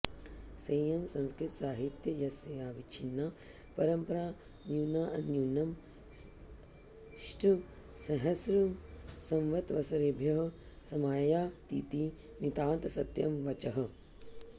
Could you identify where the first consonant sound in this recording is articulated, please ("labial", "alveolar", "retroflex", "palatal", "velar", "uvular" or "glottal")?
alveolar